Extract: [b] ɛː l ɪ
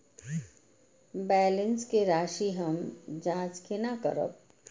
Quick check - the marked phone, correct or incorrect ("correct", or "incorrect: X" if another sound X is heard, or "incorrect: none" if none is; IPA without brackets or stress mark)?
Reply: correct